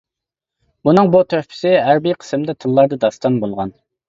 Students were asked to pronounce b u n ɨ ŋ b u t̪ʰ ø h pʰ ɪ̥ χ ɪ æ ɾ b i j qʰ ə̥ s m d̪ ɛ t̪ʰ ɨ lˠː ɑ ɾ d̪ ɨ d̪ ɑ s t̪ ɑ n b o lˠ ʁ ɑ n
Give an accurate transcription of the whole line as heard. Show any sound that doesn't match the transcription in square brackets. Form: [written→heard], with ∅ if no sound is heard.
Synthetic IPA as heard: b u n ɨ ŋ b u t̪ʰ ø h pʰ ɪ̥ [χ→s] ɪ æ ɾ b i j qʰ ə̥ s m d̪ ɛ t̪ʰ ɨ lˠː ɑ ɾ d̪ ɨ d̪ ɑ s t̪ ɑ n b o lˠ ʁ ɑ n